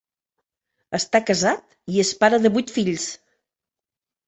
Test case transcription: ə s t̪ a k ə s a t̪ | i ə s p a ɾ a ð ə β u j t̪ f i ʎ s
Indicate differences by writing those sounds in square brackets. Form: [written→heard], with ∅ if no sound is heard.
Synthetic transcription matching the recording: ə s t̪ a k ə [s→z] a t̪ | i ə s p a ɾ [a→ə] ð ə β u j t̪ f i ʎ s